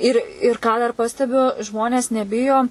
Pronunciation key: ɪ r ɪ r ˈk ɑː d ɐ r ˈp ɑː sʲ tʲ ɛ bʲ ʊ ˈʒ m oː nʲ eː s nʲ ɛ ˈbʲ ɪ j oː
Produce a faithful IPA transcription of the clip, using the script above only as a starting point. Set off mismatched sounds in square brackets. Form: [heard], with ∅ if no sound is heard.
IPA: ɪ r ɪ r ˈk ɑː d ɐ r ˈp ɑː sʲ tʲ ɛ bʲ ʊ ˈʒ m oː nʲ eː s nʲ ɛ ˈbʲ ɪ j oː